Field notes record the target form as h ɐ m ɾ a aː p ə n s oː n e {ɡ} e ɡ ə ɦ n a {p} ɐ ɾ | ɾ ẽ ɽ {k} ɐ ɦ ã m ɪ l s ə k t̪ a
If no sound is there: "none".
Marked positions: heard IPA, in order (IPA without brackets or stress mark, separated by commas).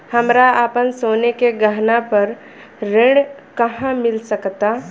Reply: k, p, k